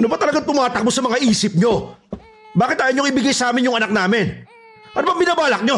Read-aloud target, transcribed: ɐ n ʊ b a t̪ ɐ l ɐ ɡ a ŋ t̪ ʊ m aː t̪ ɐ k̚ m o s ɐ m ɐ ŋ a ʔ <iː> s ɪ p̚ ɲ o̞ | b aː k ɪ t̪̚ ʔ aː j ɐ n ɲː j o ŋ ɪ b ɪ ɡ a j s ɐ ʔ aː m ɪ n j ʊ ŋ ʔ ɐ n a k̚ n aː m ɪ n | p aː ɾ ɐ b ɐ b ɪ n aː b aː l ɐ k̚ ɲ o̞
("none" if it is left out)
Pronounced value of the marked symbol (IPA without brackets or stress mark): iː